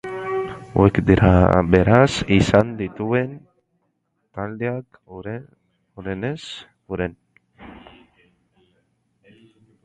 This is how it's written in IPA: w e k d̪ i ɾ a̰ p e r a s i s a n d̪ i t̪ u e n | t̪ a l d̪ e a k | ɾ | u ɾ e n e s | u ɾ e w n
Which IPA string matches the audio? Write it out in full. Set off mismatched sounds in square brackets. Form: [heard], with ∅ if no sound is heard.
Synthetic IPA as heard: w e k d̪ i ɾ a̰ [b] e [ɾ] a s i s a n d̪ i t̪ u e n | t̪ a l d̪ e a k | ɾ | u ɾ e n e s | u ɾ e [∅] n

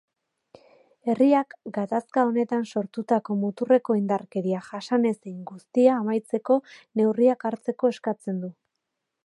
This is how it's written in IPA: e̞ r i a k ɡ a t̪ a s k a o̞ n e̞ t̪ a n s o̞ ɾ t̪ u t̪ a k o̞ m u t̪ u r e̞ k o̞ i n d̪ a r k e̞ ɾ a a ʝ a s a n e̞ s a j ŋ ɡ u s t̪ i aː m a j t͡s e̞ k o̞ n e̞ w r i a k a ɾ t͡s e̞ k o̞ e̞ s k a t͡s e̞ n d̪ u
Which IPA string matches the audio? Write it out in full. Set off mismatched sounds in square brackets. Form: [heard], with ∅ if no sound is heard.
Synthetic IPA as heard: e̞ r i a k ɡ a t̪ a s k a o̞ n e̞ t̪ a n s o̞ ɾ t̪ u t̪ a k o̞ m u t̪ u r e̞ k o̞ i n d̪ a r k e̞ ɾ [i] a ʝ a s a n e̞ s [e] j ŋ ɡ u s t̪ i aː m a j t͡s e̞ k o̞ n e̞ w r i a k a ɾ t͡s e̞ k o̞ e̞ s k a t͡s e̞ n d̪ u

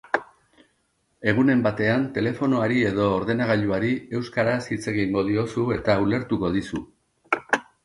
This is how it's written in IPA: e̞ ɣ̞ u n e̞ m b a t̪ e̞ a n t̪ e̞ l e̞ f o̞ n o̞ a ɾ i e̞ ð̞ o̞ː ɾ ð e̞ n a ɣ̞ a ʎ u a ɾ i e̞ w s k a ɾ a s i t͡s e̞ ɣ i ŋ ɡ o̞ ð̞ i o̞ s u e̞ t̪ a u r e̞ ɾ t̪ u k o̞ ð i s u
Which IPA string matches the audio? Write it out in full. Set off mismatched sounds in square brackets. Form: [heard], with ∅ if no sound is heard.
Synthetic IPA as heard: e̞ ɣ̞ u n e̞ m b a t̪ e̞ a n t̪ e̞ l e̞ f o̞ n o̞ a ɾ i e̞ ð̞ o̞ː ɾ ð e̞ n a ɣ̞ a ʎ u a ɾ i e̞ w s k a ɾ a s i t͡s e̞ ɣ i ŋ ɡ o̞ ð̞ i o̞ s u e̞ t̪ a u [l] e̞ ɾ t̪ u k o̞ ð i s u

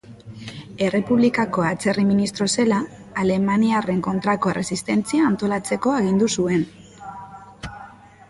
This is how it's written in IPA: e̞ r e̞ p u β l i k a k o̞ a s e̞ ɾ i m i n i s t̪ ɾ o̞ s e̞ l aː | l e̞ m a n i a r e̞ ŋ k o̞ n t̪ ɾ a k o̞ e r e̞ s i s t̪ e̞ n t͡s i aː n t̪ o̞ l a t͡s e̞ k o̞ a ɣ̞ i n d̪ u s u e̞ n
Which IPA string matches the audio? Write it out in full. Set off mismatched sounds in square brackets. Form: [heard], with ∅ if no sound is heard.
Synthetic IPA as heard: e̞ r e̞ p u β l i k a k o̞ a [t͡s] e̞ [r] i m i n i s t̪ ɾ o̞ s e̞ l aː | l e̞ m a n i a r e̞ ŋ k o̞ n t̪ ɾ a k o̞ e r e̞ s i s t̪ e̞ n t͡s i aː n t̪ o̞ l a t͡s e̞ k o̞ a ɣ̞ i n d̪ u s u e̞ n

